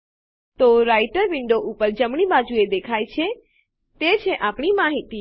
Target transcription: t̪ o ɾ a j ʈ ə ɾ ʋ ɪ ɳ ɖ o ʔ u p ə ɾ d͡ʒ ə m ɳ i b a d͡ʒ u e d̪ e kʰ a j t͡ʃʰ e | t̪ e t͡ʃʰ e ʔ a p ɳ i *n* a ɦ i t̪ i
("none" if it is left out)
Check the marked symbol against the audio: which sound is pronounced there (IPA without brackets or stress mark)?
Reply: m